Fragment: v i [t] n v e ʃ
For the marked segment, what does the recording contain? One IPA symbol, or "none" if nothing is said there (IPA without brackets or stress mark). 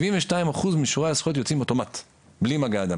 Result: none